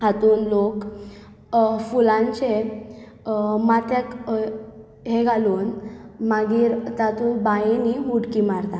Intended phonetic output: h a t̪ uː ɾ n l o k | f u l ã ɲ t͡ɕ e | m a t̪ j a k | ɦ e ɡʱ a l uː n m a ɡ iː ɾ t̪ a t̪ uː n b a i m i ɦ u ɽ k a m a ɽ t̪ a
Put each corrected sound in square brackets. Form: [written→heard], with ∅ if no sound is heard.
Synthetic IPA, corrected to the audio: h a t̪ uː [ɾ→∅] n l o k | f u l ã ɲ t͡ɕ e | m a t̪ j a k | ɦ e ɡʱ a l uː n m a ɡ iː ɾ t̪ a t̪ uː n b a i [m→n] i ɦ u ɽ k [a→i] m a [ɽ→ɾ] t̪ a